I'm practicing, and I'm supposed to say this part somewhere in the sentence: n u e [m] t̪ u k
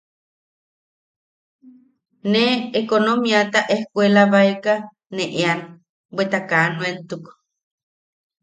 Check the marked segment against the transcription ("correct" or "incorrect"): incorrect